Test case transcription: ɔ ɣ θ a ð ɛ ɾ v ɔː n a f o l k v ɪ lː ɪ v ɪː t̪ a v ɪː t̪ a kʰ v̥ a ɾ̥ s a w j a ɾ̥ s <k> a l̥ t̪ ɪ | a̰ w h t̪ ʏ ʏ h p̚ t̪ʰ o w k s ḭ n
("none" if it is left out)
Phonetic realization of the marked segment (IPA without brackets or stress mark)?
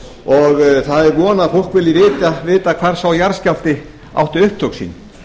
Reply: c